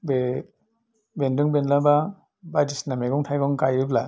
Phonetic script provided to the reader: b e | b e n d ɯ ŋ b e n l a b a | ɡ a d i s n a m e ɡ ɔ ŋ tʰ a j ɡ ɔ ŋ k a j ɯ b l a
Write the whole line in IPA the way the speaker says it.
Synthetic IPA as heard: b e | b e n d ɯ ŋ b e n l a b a | b a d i s n a m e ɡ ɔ ŋ tʰ a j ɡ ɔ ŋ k a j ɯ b l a